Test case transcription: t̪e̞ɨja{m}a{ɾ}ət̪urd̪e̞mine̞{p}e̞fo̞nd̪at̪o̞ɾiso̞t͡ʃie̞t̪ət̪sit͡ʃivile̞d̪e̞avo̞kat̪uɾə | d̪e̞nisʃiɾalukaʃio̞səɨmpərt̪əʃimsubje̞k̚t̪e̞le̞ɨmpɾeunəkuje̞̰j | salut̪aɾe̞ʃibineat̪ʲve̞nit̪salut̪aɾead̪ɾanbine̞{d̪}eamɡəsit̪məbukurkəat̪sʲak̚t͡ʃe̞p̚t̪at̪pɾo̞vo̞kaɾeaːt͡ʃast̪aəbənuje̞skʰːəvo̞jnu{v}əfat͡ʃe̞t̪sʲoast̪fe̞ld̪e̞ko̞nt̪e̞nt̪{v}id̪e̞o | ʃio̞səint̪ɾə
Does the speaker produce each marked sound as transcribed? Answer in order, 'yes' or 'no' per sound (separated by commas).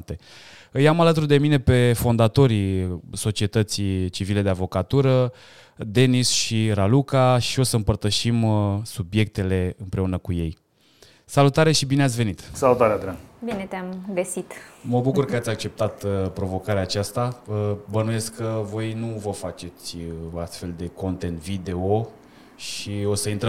yes, no, yes, no, yes, yes